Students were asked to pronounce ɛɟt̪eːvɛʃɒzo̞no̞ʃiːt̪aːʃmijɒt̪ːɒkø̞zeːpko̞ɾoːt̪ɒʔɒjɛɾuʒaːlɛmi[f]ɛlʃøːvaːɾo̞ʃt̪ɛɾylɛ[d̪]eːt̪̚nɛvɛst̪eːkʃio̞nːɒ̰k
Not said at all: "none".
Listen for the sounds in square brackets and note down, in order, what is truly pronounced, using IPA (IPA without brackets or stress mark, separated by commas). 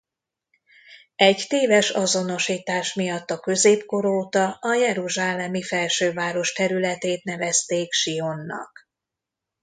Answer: f, t̪